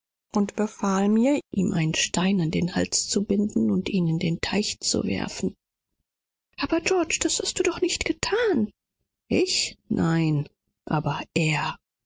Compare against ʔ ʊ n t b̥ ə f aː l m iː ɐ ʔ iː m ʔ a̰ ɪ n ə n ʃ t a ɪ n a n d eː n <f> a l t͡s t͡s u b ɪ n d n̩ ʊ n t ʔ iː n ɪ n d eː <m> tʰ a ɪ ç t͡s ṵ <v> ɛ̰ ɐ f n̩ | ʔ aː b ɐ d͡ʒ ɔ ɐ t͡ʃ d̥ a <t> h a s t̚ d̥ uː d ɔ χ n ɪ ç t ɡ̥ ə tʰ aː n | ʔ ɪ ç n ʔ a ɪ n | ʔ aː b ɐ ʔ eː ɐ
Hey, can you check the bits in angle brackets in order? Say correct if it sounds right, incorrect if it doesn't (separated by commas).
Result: incorrect, incorrect, correct, incorrect